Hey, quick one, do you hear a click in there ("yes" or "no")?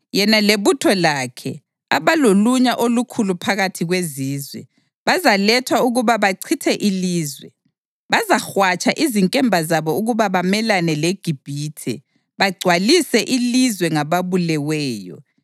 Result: yes